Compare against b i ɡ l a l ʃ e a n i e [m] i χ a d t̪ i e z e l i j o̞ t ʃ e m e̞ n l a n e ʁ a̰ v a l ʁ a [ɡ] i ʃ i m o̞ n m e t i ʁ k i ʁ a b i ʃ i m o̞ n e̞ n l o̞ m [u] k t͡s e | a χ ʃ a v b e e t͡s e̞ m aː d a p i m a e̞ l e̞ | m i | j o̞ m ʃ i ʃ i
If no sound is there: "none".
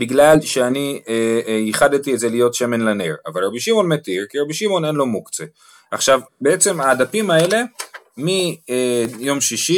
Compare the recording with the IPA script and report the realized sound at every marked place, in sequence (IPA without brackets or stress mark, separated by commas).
none, b, u